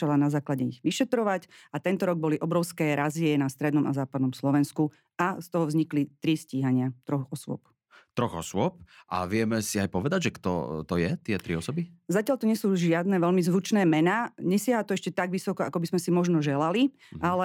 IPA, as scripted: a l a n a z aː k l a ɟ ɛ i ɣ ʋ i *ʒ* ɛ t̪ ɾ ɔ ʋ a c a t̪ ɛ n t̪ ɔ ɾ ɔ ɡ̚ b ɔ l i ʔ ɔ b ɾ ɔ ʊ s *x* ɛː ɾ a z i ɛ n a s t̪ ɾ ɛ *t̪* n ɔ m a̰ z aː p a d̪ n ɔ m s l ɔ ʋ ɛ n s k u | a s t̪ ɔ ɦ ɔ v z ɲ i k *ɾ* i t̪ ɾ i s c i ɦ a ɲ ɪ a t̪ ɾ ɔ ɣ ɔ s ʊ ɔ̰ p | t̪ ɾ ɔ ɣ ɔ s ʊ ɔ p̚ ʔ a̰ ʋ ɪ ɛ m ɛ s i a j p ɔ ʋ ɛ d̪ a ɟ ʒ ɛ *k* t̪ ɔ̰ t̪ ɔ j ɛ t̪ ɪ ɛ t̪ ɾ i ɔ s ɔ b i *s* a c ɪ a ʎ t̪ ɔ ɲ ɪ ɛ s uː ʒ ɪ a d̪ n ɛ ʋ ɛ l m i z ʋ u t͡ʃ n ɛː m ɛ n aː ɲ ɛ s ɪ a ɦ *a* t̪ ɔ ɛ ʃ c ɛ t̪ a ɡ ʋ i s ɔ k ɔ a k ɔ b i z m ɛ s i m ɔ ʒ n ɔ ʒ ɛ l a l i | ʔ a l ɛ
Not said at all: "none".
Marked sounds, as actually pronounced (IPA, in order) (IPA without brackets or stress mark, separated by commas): ʃ, k, d̪, l, k, z, a